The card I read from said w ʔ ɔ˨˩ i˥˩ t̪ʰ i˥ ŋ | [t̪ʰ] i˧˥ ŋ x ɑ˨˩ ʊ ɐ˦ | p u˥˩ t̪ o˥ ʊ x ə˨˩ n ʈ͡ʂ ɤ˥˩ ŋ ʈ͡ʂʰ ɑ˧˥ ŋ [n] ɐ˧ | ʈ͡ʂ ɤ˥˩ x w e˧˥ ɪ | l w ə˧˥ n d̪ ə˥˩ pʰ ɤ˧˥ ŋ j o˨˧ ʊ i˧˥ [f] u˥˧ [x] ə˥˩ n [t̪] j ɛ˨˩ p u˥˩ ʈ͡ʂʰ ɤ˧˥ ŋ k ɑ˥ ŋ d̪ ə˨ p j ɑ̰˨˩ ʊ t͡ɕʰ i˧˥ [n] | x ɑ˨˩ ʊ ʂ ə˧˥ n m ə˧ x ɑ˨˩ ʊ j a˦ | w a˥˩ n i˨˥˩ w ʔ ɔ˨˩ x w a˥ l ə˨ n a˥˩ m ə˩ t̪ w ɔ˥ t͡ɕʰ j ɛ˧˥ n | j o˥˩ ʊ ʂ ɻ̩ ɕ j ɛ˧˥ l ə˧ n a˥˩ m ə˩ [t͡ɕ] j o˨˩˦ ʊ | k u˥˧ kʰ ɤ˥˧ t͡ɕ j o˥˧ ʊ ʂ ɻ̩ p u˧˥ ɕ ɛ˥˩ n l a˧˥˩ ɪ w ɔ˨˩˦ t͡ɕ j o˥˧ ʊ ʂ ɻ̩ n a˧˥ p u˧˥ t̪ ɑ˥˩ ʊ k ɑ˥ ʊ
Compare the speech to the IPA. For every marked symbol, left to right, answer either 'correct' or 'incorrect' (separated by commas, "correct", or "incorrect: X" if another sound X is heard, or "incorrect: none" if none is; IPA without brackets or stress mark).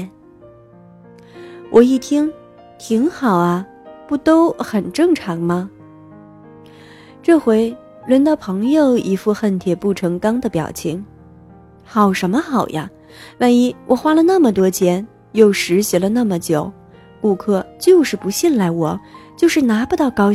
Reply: correct, incorrect: m, correct, correct, incorrect: t̪ʰ, incorrect: ŋ, correct